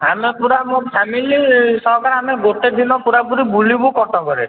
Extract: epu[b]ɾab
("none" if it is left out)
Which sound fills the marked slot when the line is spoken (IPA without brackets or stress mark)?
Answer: none